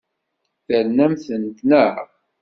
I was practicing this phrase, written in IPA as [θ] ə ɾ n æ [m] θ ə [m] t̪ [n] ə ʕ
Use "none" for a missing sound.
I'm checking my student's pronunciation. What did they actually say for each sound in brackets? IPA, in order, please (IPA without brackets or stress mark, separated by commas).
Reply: θ, m, n, n